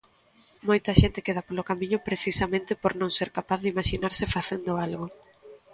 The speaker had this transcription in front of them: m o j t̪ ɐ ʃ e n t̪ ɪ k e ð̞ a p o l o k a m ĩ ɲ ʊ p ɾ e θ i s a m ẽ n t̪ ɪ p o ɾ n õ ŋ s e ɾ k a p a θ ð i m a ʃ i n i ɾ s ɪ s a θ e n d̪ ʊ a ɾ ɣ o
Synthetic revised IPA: m o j t̪ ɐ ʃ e n t̪ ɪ k e ð̞ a p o l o k a m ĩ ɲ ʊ p ɾ e θ i s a m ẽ n t̪ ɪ p o ɾ n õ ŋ s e ɾ k a p a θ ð i m a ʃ i n a ɾ s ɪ f a θ e n d̪ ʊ a l ɣ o

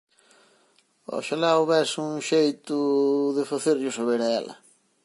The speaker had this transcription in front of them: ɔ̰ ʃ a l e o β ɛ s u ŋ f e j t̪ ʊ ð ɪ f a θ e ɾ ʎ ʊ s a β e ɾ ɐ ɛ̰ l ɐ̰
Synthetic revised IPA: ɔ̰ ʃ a l a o β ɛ s u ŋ ʃ e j t̪ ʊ ð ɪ f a θ e ɾ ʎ ʊ s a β e ɾ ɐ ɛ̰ l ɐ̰

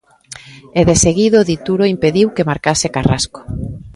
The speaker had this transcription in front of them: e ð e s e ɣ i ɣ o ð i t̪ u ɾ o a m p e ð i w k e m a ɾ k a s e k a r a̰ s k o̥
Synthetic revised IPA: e ð e s e ɣ i ð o ð i t̪ u ɾ o i m p e ð i w k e m a ɾ k a s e k a r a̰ s k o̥

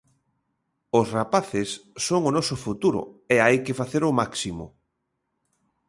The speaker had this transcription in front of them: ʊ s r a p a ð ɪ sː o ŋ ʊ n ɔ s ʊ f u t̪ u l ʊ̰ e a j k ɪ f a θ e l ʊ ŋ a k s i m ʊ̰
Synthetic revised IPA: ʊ s r a p a θ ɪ sː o ŋ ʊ n ɔ s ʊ f u t̪ u ɾ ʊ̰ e a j k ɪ f a θ e ɾ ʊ m a k s i m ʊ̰

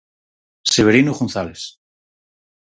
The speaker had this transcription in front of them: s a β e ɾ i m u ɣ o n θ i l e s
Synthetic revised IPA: s e β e ɾ i n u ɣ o n θ a l e s

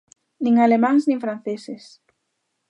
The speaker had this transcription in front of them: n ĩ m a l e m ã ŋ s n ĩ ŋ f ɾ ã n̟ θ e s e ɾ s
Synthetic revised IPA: n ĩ ŋ a l e m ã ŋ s n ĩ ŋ f ɾ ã n̟ θ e s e s

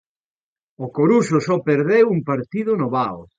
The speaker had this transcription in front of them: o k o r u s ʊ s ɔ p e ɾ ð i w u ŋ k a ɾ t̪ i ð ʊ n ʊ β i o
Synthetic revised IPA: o k o ɾ u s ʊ s ɔ p e ɾ ð e w u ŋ p a ɾ t̪ i ð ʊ n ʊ β a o

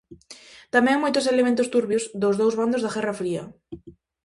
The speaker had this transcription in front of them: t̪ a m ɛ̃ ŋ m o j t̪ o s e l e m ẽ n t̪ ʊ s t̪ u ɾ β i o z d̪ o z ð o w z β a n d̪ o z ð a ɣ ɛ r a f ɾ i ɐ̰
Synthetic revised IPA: t̪ a m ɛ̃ ŋ m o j t̪ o s e l e m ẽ n t̪ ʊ s t̪ u ɾ β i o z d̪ o z ð o w z β a n d̪ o z ð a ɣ ɛ r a f ɾ i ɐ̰

